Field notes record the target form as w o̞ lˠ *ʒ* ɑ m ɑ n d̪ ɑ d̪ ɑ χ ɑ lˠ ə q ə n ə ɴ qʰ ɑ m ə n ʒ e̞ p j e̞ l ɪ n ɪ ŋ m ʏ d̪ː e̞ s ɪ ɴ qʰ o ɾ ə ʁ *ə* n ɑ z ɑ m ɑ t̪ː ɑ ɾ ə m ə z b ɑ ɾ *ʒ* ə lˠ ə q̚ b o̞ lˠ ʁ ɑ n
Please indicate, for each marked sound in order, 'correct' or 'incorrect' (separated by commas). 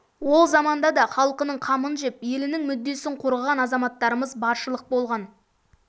incorrect, incorrect, incorrect